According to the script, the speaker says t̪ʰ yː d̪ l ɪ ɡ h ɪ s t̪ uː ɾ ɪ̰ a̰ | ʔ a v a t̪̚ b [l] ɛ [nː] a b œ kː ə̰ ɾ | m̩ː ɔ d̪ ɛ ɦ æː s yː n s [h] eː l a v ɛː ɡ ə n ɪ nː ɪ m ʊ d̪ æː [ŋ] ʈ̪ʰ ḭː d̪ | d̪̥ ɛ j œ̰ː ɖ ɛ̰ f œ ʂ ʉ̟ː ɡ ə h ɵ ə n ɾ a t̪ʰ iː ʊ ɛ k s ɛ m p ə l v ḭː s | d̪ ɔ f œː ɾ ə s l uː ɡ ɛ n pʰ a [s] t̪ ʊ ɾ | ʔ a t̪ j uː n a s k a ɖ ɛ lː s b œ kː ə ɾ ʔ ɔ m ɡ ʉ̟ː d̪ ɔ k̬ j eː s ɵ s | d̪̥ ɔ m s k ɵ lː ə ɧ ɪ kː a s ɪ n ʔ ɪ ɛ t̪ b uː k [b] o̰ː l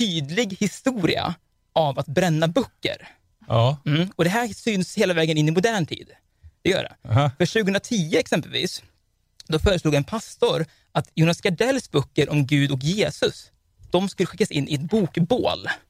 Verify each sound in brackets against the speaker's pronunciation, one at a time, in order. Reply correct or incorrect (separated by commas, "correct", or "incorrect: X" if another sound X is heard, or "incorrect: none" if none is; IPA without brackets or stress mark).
incorrect: ɾ, correct, correct, incorrect: ɳ, correct, correct